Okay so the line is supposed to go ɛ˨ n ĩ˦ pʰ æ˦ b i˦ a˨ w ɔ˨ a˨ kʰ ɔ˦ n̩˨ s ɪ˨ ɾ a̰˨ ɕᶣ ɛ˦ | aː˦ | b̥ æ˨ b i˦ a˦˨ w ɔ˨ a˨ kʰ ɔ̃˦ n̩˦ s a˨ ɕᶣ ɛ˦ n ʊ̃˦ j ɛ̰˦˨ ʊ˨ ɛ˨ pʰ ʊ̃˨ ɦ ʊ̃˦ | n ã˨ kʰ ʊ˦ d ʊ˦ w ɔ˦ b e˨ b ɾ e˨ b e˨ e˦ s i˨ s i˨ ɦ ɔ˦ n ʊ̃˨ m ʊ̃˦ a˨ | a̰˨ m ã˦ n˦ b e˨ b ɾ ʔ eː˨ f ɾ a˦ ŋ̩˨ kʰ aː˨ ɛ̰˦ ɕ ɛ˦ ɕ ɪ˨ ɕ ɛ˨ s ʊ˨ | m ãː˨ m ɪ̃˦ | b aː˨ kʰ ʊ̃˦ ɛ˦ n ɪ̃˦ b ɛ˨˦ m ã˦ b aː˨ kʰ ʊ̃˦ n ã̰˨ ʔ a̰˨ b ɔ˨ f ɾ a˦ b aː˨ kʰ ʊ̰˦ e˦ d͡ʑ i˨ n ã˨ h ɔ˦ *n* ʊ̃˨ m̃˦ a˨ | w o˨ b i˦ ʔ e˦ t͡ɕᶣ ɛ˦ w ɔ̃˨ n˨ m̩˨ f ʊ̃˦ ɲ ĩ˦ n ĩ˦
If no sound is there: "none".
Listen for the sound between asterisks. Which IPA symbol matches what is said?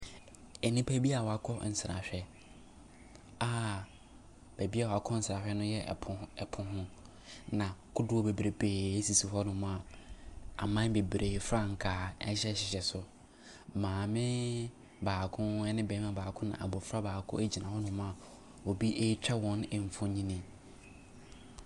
n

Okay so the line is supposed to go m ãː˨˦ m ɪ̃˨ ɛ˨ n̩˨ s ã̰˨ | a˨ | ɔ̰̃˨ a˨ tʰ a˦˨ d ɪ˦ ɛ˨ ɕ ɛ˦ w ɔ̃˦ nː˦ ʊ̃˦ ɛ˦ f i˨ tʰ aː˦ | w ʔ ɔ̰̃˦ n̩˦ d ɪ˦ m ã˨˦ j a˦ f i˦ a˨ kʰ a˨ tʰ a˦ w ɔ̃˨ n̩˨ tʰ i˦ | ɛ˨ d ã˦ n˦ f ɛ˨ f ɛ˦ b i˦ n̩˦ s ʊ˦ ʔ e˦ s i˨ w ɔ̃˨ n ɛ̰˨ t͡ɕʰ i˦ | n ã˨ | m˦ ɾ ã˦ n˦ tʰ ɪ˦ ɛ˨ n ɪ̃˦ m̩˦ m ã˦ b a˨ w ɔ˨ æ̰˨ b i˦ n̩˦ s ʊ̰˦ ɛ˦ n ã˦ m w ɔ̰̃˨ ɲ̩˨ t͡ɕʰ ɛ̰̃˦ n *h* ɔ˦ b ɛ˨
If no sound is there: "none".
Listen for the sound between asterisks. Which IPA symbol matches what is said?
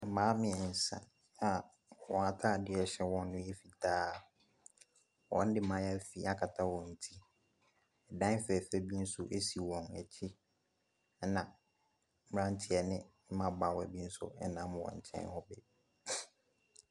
h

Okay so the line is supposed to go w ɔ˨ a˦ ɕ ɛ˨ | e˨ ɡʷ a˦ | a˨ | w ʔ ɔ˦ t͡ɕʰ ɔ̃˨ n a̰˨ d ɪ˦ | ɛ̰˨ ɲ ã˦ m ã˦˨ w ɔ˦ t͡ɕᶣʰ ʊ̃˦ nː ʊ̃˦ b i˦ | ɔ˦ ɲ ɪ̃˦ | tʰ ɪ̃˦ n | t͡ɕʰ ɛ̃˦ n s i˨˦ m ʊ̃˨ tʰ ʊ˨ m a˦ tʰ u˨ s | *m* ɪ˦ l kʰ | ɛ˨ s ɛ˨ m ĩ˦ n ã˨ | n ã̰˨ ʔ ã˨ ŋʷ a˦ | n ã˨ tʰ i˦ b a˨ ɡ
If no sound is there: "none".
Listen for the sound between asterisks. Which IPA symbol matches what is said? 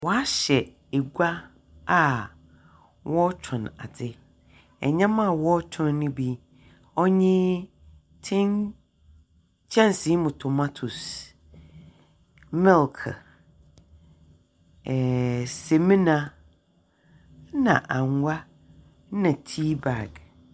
m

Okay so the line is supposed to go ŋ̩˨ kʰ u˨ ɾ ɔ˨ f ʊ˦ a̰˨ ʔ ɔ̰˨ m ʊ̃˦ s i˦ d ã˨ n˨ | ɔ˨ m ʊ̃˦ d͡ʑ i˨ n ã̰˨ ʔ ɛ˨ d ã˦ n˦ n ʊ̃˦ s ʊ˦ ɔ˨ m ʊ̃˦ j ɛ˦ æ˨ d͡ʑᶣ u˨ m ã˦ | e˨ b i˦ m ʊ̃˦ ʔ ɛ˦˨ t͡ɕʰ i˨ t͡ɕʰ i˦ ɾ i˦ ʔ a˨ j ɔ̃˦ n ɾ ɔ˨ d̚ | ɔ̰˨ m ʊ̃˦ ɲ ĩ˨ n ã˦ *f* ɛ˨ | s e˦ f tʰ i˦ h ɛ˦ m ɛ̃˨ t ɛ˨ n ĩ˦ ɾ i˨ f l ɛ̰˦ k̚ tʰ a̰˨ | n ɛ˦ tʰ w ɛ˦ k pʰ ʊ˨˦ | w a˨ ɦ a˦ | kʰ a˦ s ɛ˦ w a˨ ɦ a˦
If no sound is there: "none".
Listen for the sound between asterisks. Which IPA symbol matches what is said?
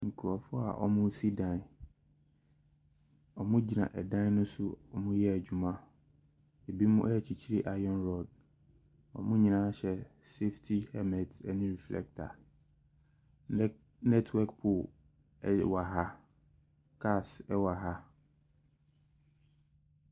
ɕ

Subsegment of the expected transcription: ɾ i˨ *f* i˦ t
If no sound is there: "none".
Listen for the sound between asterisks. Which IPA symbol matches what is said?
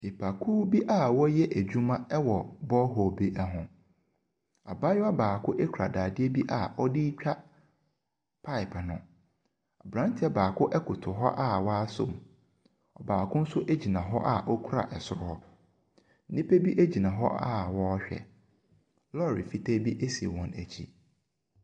f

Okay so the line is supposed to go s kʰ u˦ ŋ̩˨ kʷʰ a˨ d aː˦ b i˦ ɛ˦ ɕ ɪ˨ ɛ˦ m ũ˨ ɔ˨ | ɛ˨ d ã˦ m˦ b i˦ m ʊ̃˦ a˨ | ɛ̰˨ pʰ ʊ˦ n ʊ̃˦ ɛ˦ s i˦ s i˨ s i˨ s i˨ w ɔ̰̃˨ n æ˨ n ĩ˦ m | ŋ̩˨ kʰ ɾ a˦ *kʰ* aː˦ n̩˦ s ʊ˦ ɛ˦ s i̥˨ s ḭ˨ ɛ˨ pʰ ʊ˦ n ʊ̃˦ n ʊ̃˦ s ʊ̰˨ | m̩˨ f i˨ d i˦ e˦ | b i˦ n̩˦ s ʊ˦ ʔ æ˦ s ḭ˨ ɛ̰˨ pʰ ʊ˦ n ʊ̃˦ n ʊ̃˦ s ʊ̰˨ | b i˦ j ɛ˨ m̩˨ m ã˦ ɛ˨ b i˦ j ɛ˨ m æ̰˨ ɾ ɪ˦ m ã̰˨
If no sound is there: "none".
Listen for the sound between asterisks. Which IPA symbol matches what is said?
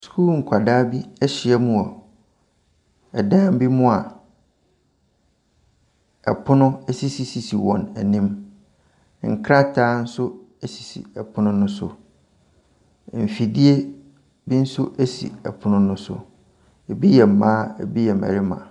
tʰ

